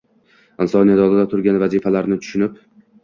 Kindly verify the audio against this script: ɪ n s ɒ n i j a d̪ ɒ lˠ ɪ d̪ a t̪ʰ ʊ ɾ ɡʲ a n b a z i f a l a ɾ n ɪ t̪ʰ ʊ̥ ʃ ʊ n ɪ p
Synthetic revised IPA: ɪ n s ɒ n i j a d̪ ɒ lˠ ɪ d̪ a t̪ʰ ʊ ɾ ɡʲ a n v a z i f a l a ɾ n ɪ t̪ʰ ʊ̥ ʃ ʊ n ɪ p